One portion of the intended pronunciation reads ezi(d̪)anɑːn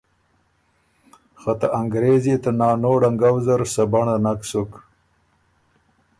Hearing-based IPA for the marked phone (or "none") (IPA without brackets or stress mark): t̪